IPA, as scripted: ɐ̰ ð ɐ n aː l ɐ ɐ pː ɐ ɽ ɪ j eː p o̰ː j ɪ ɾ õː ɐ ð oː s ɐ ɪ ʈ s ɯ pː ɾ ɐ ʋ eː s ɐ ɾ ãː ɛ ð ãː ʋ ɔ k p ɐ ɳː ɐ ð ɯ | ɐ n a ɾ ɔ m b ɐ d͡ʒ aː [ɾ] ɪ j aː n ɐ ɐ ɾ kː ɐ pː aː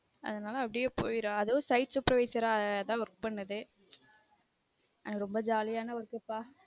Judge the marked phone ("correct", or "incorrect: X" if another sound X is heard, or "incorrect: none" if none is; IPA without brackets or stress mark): incorrect: l